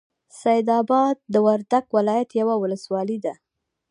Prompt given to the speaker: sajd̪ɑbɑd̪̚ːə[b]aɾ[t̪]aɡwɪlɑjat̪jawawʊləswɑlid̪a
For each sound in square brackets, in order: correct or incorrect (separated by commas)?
incorrect, incorrect